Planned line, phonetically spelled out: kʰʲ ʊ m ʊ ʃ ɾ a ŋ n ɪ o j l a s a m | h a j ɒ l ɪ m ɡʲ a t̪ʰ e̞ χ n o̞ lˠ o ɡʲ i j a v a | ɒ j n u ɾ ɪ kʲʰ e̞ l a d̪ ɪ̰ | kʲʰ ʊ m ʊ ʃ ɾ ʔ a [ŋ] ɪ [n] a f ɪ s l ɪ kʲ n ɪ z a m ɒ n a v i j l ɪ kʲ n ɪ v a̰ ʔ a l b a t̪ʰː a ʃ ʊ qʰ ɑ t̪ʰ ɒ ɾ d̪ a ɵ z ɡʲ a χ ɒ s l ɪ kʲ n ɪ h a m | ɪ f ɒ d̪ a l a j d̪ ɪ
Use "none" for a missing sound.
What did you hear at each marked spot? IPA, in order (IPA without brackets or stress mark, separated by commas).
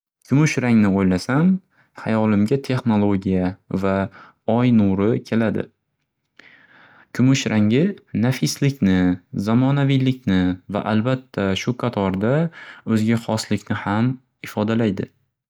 ŋ, n